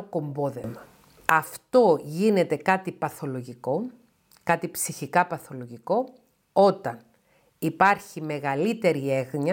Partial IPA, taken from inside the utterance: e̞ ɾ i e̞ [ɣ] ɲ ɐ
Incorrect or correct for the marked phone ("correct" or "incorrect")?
correct